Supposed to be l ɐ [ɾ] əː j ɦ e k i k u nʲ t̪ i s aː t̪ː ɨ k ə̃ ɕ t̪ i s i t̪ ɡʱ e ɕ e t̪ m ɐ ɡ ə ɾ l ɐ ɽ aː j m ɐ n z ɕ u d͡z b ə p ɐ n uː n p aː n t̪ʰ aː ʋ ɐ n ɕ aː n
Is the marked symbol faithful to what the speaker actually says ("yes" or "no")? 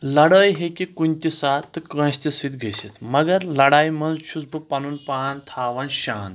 no